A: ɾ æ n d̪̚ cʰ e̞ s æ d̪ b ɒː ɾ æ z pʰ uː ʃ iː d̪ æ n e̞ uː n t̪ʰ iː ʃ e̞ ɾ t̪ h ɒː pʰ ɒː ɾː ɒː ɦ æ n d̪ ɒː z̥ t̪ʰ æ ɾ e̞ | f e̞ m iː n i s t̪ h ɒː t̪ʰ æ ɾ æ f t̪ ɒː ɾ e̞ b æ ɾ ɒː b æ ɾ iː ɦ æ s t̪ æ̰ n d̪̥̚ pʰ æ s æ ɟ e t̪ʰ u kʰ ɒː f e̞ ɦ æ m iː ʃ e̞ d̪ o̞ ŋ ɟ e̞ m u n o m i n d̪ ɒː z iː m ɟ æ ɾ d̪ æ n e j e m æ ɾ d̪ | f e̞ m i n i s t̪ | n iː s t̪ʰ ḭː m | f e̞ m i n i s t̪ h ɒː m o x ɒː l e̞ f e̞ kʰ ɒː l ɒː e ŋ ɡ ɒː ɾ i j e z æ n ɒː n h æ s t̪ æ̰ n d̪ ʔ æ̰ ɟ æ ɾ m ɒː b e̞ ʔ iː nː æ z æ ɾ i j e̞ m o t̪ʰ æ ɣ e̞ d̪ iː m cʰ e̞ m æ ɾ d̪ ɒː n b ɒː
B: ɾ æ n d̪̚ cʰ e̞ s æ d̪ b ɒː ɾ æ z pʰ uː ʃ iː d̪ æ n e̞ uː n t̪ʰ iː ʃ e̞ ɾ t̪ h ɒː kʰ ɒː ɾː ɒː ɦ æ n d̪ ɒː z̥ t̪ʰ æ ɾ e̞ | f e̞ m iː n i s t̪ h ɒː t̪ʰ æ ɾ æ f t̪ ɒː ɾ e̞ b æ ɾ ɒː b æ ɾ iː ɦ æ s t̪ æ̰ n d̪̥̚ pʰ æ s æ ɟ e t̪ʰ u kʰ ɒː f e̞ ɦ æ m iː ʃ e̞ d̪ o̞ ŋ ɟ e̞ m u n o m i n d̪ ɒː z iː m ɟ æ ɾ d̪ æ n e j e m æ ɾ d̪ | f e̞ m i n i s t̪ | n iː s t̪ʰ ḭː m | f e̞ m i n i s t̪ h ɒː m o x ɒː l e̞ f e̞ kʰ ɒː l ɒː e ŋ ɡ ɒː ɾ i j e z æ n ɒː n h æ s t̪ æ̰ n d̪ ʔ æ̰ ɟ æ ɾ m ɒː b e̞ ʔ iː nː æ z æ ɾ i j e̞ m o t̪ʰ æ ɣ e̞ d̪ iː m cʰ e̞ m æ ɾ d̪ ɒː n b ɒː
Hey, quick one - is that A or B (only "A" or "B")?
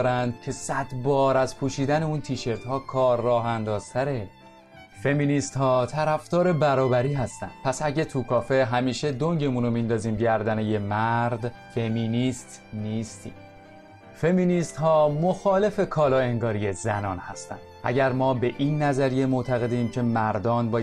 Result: B